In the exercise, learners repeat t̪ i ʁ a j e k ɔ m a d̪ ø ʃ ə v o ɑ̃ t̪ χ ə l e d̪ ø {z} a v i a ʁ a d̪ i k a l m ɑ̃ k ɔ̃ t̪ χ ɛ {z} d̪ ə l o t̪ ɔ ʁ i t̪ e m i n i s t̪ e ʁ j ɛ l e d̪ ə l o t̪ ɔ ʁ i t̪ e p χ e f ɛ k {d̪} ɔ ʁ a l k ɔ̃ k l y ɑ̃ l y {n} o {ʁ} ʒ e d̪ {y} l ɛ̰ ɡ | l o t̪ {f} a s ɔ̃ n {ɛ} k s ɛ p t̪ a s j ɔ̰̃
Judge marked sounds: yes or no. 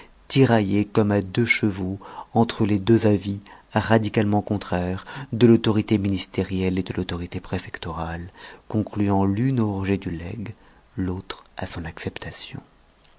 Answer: yes, no, no, yes, yes, yes, no, no

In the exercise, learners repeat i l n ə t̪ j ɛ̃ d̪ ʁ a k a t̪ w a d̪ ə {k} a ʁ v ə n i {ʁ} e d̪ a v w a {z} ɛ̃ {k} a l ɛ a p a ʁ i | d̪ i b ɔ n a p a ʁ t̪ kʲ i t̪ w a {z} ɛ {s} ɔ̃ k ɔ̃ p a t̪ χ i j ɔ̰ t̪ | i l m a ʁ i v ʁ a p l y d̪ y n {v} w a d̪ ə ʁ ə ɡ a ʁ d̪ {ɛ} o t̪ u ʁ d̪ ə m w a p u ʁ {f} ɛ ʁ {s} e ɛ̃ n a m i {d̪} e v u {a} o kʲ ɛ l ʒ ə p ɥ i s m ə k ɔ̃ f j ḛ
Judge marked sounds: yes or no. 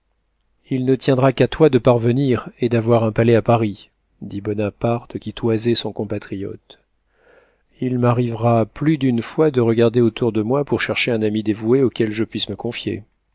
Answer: no, yes, no, no, yes, yes, no, no, no, no, yes, no

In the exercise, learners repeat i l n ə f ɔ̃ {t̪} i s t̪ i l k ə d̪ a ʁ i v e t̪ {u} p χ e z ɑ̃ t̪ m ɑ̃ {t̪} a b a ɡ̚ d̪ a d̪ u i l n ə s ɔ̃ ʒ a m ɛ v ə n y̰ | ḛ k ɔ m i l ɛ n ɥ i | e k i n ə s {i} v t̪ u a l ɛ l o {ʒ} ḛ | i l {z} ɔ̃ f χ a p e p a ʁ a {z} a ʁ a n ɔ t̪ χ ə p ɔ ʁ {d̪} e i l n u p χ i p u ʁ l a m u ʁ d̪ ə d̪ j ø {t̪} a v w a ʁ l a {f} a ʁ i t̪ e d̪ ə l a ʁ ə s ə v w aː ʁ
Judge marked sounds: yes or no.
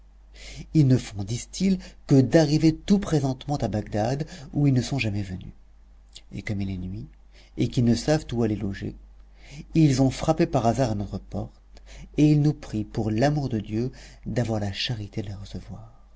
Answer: no, yes, yes, no, yes, yes, yes, no, no, no

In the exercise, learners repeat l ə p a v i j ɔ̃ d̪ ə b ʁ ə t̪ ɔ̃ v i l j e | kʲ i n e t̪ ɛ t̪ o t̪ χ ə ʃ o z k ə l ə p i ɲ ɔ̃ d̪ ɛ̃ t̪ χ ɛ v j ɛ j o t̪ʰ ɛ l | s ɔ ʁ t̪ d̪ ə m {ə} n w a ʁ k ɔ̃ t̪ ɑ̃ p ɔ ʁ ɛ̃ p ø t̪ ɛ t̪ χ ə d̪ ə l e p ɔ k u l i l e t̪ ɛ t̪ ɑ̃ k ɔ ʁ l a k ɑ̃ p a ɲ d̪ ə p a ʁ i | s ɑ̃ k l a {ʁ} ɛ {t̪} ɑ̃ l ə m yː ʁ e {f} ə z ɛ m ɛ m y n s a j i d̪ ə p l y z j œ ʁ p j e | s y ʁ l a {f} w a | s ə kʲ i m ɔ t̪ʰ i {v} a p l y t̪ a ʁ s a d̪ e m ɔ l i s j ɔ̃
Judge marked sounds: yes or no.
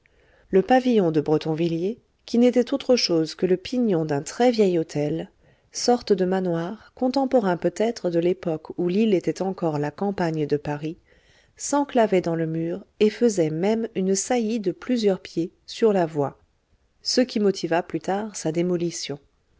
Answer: no, no, no, yes, no, yes

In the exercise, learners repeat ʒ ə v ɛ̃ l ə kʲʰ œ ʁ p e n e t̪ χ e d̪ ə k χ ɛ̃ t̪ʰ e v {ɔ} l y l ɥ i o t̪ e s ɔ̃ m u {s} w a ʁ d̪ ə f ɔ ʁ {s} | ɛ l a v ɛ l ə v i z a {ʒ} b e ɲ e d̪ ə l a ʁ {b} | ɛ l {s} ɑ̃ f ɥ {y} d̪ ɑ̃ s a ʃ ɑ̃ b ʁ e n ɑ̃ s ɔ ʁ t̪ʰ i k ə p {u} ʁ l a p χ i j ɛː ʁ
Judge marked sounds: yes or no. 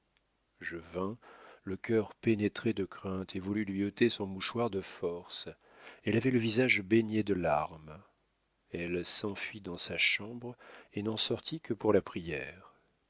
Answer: no, no, yes, yes, no, yes, no, yes

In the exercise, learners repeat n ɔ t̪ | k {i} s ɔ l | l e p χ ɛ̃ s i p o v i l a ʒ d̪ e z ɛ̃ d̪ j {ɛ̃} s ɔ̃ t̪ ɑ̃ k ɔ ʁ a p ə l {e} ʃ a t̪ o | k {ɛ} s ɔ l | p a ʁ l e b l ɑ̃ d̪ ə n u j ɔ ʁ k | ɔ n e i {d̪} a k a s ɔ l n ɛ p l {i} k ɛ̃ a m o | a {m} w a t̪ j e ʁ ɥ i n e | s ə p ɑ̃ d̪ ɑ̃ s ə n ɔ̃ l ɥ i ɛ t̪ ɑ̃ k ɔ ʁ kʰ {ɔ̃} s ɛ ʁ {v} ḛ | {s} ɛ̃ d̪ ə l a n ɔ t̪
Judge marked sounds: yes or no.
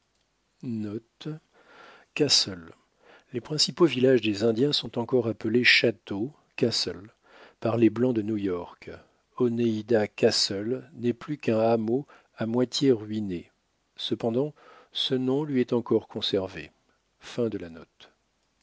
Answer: no, yes, yes, no, yes, no, yes, yes, yes, no

